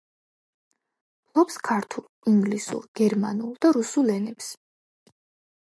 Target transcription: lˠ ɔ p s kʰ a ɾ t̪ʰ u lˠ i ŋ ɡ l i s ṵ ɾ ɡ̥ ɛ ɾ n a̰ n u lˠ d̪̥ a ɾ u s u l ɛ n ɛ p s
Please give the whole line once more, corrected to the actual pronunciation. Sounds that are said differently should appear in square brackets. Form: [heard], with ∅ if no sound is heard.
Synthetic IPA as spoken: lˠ ɔ p s kʰ a ɾ t̪ʰ u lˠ i ŋ ɡ l i s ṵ ɾ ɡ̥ ɛ ɾ [m] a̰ n u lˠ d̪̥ a ɾ u s u l ɛ n ɛ p s